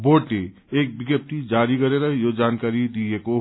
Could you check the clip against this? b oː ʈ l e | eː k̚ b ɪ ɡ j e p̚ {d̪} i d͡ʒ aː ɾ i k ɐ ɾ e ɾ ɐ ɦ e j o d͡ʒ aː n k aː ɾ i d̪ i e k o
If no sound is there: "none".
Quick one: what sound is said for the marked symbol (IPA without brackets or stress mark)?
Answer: t̪